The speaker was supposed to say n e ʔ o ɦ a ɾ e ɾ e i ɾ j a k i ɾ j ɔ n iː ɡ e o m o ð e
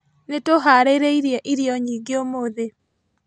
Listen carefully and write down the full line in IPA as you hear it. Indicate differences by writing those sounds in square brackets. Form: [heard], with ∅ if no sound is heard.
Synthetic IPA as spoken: n e [t] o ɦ a ɾ e ɾ e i ɾ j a [ʔ] i ɾ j ɔ [ɲ] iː ɡ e o m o ð e